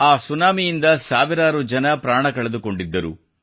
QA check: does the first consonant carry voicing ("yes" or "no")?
no